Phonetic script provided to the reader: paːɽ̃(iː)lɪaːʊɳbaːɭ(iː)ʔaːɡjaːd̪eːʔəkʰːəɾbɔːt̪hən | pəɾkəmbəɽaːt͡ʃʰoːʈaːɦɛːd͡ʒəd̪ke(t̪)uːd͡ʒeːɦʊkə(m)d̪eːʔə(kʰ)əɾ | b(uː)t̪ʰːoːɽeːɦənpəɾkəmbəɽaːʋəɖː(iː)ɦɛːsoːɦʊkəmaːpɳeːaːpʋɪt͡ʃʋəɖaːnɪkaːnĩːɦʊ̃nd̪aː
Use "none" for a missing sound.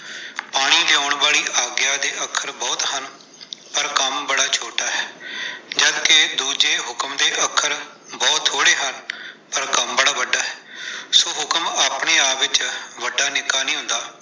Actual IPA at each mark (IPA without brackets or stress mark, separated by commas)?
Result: iː, iː, d̪, m, kʰ, ɔː, aː